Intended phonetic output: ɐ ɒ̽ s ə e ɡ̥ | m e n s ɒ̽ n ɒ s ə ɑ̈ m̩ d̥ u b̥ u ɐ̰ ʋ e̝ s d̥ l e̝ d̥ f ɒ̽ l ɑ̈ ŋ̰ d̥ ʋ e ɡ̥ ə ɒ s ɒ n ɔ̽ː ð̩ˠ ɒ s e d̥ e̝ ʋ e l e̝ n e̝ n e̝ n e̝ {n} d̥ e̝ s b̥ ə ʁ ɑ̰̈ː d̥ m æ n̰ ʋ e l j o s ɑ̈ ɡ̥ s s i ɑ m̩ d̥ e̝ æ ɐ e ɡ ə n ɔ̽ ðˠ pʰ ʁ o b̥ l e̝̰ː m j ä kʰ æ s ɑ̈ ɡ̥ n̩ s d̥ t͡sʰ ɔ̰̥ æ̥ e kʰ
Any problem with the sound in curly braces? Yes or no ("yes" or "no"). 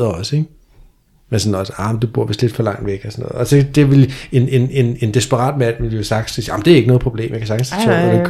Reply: no